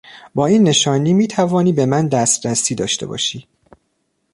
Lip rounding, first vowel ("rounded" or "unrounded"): rounded